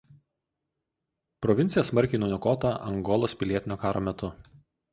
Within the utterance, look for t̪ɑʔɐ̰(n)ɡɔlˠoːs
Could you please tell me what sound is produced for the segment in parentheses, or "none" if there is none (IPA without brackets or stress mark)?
ŋ